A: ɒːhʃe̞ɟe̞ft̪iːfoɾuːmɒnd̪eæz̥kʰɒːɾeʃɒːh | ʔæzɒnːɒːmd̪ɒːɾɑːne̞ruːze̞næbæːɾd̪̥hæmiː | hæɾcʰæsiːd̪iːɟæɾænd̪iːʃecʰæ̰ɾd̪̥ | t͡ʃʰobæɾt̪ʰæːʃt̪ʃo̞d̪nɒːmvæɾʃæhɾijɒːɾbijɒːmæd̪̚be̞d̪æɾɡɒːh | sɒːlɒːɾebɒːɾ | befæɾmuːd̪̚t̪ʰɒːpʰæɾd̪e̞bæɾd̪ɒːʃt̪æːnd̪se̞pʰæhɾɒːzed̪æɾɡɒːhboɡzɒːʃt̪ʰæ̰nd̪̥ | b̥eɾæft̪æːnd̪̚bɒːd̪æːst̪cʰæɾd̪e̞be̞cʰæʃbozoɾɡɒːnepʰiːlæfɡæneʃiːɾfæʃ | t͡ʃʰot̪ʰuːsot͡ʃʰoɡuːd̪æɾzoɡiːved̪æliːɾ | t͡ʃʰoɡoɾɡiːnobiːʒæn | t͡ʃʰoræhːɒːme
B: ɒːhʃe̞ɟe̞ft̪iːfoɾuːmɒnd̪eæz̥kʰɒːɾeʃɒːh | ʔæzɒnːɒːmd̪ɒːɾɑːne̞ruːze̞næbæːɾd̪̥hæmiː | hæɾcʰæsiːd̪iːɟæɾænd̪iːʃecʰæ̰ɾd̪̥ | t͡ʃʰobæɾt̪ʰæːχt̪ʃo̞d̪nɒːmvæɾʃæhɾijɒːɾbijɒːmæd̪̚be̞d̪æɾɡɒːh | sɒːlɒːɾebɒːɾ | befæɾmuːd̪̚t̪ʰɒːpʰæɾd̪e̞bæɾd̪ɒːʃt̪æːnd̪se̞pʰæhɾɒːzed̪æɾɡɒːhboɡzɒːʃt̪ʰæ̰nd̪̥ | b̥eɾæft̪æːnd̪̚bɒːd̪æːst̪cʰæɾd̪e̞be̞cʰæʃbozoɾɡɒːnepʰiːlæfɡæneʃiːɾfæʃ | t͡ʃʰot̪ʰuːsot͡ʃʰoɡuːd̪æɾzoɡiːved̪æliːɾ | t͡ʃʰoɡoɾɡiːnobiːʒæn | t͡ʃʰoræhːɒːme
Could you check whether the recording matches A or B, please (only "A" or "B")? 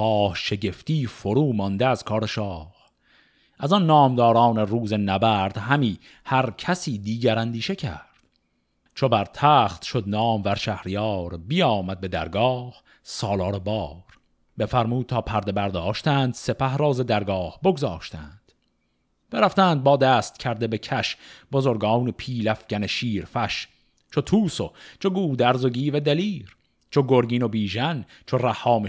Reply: B